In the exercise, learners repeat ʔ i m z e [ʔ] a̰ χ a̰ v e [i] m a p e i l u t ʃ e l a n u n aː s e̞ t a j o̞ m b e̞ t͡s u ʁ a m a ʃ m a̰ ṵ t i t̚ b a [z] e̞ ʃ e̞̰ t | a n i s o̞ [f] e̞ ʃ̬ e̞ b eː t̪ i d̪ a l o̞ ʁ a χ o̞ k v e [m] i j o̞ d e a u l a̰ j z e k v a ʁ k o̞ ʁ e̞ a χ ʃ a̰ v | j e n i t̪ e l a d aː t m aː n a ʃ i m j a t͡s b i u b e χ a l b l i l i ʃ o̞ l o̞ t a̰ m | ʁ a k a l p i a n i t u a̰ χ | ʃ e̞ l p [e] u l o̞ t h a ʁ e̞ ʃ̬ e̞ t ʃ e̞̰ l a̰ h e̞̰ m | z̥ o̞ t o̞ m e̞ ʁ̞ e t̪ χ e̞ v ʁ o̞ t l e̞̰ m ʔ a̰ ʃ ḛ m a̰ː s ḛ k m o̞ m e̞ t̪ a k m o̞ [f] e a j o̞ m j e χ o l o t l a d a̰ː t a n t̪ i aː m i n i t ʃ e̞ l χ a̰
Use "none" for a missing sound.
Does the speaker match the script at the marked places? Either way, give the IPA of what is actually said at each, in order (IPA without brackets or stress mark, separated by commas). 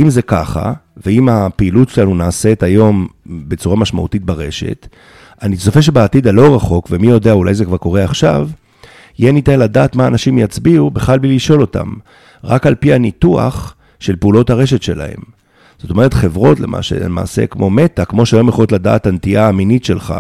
k, i, ʁ, f, m, e, ʃ